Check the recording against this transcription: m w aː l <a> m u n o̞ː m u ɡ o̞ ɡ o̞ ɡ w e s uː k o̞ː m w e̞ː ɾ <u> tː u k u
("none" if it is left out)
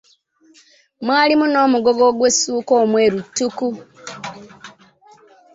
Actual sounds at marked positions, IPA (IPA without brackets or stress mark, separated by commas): i, u